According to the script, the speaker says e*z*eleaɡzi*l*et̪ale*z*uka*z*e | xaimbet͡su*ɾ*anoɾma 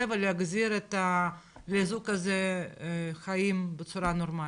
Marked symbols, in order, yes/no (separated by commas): no, no, yes, yes, yes